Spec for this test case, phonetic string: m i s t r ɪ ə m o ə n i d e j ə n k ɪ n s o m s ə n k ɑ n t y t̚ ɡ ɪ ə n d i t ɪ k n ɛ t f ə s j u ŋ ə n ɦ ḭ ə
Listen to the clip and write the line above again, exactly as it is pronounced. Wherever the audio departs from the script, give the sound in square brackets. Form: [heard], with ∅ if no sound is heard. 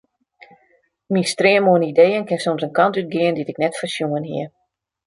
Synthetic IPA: m i s t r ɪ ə m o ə n i d e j ə n k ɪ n s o m s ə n k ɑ n t y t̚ ɡ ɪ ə n d i t ɪ k n ɛ t f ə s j u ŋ ə n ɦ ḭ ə